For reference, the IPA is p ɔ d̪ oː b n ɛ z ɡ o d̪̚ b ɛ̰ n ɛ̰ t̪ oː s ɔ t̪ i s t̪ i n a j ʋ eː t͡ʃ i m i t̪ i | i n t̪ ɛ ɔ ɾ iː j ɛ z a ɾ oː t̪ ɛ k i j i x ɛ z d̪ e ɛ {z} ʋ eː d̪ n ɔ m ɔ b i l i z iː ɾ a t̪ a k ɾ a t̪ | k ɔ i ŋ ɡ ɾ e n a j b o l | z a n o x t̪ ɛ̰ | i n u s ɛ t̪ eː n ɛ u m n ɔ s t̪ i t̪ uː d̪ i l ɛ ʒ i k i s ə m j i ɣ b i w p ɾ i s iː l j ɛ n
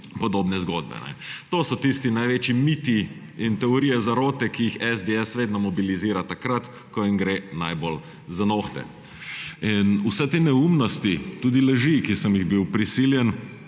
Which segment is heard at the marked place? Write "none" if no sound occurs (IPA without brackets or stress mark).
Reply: s